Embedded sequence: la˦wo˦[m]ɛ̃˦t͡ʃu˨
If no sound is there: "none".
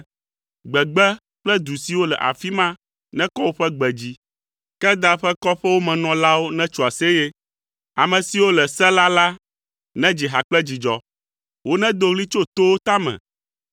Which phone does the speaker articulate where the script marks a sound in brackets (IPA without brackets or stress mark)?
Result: n